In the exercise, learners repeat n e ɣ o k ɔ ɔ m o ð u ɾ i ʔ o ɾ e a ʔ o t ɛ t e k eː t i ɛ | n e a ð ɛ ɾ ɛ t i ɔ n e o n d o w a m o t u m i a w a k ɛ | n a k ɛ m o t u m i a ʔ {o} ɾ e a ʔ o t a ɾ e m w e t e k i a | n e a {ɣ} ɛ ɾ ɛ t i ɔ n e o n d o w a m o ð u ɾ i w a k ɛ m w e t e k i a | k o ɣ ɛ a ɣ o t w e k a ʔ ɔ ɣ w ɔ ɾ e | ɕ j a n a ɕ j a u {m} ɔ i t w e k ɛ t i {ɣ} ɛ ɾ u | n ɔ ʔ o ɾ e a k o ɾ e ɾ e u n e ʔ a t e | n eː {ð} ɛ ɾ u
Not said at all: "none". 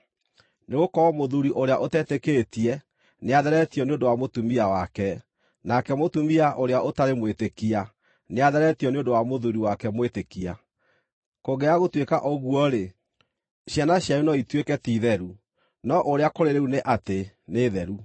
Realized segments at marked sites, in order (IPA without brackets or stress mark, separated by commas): o, ð, n, ð, ð